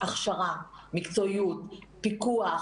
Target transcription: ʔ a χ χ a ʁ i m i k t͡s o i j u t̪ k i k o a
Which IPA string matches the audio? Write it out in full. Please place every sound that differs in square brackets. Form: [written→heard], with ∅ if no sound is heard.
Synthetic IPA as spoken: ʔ a χ [χ→ʃ] a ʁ [i→a] m i k t͡s o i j u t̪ [k→p] i k [o→u] a